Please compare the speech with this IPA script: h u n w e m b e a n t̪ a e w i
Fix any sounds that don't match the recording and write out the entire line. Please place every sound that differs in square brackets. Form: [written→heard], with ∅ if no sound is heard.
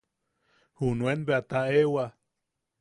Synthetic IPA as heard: h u n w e [m→n] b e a [n→∅] t̪ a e w [i→a]